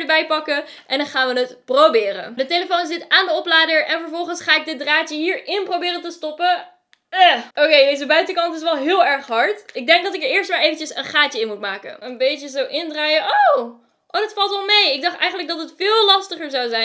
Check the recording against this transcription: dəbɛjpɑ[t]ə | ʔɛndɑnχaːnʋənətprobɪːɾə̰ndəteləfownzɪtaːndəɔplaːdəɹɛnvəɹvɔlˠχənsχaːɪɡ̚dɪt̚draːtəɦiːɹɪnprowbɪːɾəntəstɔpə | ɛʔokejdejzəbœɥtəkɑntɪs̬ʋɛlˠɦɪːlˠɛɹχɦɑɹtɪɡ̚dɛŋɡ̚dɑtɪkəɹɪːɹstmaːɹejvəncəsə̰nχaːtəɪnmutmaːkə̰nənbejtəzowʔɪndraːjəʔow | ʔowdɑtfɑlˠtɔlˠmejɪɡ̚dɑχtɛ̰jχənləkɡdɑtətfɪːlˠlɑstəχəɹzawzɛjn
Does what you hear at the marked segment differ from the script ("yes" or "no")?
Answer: yes